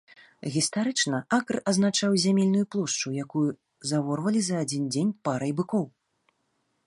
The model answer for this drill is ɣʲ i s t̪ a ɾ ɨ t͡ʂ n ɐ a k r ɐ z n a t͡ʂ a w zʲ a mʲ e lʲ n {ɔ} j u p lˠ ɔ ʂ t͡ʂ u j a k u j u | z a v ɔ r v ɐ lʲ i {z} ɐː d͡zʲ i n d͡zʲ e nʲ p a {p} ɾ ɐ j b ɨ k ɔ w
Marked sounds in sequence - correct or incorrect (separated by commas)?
incorrect, correct, incorrect